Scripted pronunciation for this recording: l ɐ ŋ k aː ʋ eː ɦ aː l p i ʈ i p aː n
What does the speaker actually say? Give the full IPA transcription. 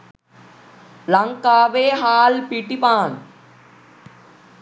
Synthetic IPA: l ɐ ŋ k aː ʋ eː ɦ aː l p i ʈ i p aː n